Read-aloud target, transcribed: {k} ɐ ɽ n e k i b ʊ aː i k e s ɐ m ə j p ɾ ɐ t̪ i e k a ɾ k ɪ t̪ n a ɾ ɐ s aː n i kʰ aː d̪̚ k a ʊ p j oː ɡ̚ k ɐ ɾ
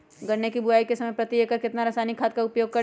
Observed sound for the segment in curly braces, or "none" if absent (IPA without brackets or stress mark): ɡ